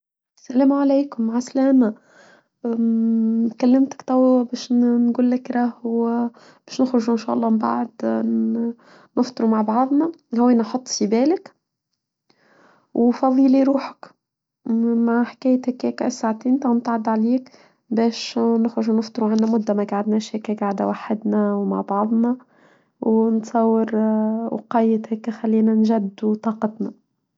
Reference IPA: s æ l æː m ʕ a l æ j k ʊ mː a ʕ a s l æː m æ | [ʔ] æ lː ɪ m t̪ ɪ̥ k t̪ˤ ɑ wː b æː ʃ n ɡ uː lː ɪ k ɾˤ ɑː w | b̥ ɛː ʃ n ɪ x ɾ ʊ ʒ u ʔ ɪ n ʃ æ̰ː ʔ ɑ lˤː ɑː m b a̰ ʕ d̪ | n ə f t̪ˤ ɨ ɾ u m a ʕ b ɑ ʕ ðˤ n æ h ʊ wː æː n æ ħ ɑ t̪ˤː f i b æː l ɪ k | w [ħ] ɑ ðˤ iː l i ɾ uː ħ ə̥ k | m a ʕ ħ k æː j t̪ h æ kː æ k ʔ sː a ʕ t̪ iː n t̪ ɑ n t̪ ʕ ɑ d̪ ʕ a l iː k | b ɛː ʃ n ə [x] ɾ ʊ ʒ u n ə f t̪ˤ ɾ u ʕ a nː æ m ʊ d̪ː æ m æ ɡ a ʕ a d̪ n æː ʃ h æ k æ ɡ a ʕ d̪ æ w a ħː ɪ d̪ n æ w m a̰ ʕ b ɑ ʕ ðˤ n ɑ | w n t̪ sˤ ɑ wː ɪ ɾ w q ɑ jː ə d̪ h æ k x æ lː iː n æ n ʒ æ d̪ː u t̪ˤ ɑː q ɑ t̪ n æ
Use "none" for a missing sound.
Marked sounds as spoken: k, f, x

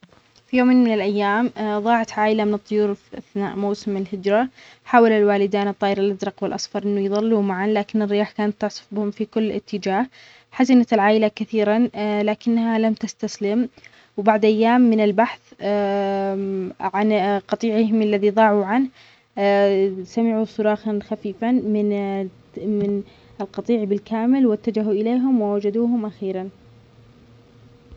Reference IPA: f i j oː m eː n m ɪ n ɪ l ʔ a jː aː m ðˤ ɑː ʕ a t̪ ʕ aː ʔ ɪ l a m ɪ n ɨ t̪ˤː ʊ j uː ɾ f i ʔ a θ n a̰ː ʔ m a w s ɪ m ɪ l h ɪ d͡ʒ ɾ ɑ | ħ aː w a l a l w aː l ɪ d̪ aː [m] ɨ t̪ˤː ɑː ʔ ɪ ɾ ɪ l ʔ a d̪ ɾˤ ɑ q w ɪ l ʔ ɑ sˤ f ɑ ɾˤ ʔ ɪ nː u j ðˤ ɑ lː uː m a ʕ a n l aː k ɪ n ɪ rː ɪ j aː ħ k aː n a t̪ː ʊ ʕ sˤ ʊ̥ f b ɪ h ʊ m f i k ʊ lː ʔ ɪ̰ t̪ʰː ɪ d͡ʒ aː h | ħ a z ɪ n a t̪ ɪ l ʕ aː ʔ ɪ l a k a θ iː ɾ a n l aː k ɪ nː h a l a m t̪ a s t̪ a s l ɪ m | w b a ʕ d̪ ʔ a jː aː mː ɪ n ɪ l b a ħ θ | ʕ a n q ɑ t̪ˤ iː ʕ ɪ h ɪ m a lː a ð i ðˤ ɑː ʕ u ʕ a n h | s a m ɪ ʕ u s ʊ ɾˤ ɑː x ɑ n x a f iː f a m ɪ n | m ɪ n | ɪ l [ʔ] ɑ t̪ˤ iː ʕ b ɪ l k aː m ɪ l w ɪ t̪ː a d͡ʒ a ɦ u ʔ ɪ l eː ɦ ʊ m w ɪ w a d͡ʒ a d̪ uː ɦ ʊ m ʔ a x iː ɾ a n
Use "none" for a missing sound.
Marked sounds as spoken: n, q

